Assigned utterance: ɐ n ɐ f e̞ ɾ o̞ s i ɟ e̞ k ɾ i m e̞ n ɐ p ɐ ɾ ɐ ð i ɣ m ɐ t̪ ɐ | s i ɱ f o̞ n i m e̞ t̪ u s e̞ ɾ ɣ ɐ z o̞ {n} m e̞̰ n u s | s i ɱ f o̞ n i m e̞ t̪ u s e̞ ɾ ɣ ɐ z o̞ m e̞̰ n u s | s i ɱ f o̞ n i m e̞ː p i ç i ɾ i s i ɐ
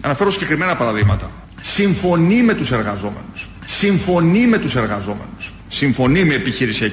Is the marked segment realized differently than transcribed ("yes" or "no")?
yes